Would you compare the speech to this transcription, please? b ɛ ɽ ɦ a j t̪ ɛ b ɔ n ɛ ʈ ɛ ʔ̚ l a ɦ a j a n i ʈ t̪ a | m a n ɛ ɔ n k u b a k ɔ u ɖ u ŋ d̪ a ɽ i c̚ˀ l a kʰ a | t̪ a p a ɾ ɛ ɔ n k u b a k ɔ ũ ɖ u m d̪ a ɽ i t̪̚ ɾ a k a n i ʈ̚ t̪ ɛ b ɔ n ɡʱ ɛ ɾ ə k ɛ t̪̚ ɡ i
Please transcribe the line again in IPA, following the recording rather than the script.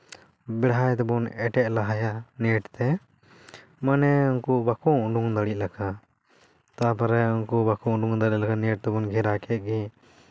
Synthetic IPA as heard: b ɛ ɽ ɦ a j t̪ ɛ b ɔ n ɛ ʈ ɛ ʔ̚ l a ɦ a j a n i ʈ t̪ ɛ | m a n ɛ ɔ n k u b a k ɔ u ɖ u ŋ d̪ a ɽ i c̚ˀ l a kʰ a | t̪ a p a ɾ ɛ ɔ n k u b a k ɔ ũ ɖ u ŋ d̪ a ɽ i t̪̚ l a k a n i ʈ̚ t̪ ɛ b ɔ n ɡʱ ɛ ɾ a k ɛ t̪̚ ɡ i